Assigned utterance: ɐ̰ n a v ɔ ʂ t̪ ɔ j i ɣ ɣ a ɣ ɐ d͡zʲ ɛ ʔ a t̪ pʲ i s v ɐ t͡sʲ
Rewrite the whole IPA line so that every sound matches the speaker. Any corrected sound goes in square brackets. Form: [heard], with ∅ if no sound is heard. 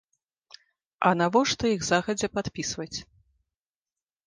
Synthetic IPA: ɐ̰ n a v ɔ ʂ t̪ ɔ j i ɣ [z] a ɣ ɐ d͡zʲ ɛ [p] a t̪ pʲ i s v ɐ t͡sʲ